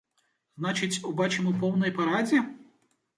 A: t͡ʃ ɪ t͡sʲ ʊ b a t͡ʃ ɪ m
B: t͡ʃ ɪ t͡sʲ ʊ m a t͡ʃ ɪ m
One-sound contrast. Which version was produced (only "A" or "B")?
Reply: A